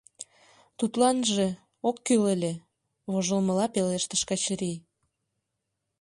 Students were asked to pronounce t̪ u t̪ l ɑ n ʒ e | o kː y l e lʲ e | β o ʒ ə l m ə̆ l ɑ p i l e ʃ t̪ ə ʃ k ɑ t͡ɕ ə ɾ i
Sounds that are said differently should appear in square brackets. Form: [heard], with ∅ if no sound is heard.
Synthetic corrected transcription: t̪ u t̪ l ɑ n ʒ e | o kː y l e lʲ e | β o ʒ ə l m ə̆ l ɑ p [e] l e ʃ t̪ ə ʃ k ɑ t͡ɕ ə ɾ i